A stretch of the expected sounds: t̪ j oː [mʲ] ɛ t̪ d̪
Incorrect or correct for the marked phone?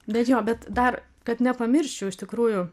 incorrect: bʲ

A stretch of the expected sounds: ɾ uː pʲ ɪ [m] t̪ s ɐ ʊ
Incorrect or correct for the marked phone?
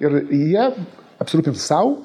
incorrect: n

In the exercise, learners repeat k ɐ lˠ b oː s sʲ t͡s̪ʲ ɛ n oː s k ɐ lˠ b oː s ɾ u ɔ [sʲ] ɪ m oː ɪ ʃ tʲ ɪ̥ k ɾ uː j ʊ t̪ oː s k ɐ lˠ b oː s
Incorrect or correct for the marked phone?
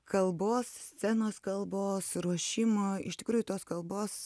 incorrect: ʃʲ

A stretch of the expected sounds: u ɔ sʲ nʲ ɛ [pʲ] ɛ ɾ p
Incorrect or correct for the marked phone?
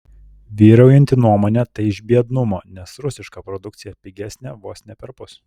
correct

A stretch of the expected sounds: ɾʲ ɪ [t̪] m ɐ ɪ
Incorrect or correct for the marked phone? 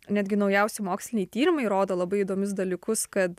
incorrect: none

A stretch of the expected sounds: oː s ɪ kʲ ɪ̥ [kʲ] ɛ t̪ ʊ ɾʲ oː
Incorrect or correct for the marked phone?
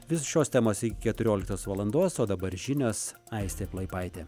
correct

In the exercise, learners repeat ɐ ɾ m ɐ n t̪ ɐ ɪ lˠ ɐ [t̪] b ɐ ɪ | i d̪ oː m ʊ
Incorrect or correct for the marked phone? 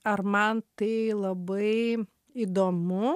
incorrect: none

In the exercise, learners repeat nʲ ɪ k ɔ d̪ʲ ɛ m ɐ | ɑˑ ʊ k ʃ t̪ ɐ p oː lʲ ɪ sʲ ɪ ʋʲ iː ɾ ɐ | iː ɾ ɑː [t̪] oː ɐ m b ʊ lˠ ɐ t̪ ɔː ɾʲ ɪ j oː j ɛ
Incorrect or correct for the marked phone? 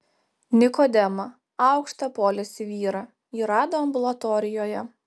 incorrect: d̪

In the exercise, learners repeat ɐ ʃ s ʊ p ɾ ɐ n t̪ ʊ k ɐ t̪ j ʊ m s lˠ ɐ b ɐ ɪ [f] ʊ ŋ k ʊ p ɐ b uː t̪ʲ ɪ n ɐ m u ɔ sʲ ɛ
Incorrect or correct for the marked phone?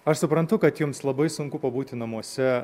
incorrect: s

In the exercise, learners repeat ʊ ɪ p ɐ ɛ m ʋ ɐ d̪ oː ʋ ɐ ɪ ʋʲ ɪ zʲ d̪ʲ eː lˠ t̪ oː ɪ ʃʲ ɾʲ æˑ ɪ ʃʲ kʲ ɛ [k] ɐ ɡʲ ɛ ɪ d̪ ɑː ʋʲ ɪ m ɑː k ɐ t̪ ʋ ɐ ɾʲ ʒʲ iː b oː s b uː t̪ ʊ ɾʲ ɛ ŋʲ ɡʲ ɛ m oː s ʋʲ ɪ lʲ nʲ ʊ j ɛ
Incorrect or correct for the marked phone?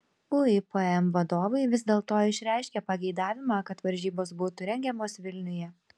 incorrect: p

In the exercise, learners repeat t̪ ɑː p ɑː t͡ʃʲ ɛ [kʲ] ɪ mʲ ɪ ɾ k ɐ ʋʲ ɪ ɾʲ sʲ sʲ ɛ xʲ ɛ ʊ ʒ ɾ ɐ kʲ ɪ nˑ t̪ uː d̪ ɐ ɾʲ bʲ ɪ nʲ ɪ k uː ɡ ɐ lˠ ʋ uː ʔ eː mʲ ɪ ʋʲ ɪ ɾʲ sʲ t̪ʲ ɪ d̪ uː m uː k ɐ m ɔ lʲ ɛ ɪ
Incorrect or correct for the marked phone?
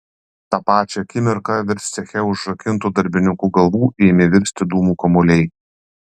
correct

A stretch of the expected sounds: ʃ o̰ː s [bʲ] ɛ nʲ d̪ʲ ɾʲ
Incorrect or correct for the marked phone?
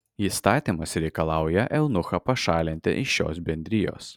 correct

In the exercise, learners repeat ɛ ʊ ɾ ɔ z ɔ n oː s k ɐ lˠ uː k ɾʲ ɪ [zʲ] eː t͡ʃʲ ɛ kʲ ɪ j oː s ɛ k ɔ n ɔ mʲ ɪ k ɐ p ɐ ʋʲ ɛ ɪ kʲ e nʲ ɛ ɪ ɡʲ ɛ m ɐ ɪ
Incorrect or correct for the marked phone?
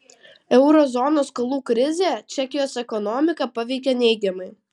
correct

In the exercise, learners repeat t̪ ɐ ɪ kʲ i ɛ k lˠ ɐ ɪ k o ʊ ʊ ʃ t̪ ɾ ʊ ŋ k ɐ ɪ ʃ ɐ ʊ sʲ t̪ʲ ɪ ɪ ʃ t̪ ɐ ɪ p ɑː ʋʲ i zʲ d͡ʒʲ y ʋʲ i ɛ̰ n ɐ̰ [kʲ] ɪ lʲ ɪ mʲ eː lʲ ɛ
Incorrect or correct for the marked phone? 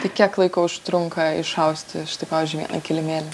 correct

